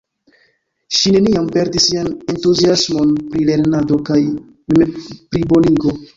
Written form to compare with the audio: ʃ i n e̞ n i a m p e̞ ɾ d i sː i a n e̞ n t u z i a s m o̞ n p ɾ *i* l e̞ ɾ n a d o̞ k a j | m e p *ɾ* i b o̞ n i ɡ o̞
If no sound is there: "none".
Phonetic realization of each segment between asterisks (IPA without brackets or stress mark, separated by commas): i, ɾ